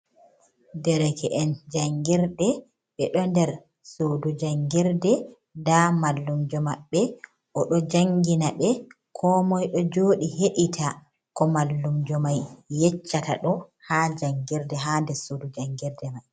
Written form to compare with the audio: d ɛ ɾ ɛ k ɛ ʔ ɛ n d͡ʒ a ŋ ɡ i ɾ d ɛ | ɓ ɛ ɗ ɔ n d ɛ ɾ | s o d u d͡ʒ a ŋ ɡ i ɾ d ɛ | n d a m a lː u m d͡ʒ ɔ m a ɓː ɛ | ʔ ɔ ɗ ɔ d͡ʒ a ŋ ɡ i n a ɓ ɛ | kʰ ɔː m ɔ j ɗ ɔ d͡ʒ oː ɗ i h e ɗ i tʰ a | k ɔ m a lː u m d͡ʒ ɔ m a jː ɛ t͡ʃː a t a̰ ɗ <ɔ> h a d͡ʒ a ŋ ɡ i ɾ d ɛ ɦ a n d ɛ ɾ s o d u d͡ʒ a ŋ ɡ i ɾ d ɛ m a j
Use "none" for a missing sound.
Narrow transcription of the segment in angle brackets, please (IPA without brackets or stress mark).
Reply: ɔ